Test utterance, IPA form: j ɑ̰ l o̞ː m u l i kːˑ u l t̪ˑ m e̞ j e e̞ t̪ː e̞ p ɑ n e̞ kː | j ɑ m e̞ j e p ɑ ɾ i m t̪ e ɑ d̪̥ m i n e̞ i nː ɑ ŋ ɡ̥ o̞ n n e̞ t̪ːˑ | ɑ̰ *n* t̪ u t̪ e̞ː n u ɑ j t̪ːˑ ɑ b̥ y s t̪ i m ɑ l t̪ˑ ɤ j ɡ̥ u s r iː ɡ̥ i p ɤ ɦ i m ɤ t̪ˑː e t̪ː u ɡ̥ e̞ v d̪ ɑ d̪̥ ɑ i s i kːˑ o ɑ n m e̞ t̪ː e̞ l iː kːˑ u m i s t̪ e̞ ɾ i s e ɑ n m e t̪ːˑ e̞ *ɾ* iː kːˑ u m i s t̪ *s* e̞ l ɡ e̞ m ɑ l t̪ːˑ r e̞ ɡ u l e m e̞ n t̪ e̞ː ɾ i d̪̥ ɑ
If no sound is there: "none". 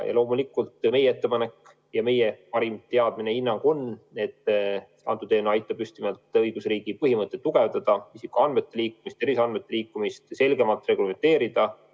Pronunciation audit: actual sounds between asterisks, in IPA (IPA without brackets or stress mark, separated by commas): n, l, s